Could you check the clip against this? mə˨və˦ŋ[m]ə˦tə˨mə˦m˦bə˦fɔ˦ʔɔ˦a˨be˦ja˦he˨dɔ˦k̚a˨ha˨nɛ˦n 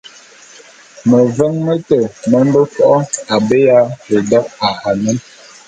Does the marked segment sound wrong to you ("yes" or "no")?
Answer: no